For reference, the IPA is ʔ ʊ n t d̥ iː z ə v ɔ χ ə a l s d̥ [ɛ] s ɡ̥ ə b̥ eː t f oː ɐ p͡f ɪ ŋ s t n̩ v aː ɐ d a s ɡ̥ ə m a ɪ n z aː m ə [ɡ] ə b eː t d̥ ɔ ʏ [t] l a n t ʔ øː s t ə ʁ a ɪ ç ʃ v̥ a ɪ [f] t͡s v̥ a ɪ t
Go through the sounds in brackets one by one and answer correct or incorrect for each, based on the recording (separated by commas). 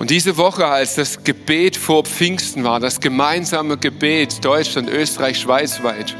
incorrect, correct, incorrect, incorrect